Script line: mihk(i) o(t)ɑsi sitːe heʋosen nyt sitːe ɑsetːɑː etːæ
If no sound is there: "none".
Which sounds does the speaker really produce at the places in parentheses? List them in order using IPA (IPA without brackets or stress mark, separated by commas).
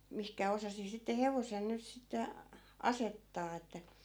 æ, s